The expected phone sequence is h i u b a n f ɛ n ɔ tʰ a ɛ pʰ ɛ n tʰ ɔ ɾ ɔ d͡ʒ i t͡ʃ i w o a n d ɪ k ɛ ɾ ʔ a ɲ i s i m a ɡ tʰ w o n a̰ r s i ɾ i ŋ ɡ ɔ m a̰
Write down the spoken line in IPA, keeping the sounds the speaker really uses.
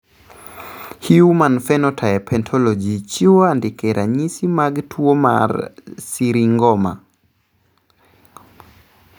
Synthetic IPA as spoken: h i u m a n f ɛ n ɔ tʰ a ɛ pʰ ɛ n tʰ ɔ l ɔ d͡ʒ i t͡ʃ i w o a n d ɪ k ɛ ɾ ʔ a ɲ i s i m a ɡ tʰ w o m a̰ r s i ɾ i ŋ ɡ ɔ m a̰

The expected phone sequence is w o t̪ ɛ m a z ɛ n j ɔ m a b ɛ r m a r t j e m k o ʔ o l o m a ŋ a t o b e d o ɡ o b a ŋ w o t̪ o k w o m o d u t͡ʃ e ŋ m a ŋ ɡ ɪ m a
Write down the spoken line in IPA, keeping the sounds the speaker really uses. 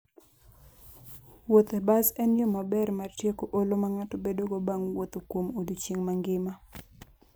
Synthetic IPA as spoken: w o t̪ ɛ b a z ɛ n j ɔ m a b ɛ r m a r t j e k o ʔ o l o m a ŋ a t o b e d o ɡ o b a ŋ w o t̪ o k w o m o d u t͡ʃ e ŋ m a ŋ ɡ ɪ m a

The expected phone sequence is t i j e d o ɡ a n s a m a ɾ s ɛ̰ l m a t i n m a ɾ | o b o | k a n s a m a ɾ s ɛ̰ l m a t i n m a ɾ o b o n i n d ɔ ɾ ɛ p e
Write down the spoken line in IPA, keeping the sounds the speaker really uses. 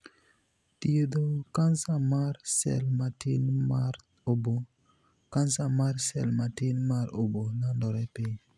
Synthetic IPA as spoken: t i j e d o k a n s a m a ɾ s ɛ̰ l m a t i n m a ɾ | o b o | k a n s a m a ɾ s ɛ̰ l m a t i n m a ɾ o b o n a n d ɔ ɾ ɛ p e

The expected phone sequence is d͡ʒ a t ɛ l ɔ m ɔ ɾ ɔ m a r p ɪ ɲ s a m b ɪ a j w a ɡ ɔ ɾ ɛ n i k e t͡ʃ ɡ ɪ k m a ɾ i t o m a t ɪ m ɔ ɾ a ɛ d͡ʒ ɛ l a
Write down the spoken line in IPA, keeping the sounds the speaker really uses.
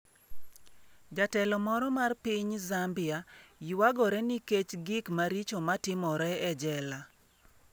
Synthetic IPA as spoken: d͡ʒ a t ɛ l ɔ m ɔ ɾ ɔ m a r p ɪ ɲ z a m b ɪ a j w a ɡ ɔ ɾ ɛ n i k e t͡ʃ ɡ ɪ k m a ɾ i t͡ʃ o m a t ɪ m ɔ ɾ ɛ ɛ d͡ʒ ɛ l a

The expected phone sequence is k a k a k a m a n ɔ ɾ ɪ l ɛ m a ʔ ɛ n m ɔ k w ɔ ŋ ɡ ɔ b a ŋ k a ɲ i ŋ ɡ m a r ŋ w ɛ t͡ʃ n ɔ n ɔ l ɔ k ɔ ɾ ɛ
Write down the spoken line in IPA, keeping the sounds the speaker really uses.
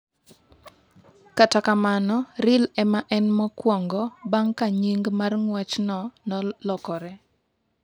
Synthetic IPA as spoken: k a t a k a m a n ɔ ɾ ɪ l ɛ m a ʔ ɛ n m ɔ k w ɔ ŋ ɡ ɔ b a ŋ k a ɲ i ŋ ɡ m a r ŋ w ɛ t͡ʃ n ɔ n ɔ l ɔ k ɔ ɾ ɛ

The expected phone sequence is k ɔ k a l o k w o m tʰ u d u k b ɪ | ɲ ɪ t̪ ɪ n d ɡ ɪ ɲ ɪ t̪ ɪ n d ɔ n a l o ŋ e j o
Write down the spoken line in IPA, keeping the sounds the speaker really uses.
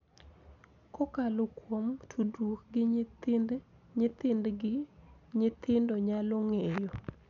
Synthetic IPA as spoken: k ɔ k a l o k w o m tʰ u d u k ɡ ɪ | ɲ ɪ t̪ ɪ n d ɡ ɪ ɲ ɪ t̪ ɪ n d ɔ ɲ a l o ŋ e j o

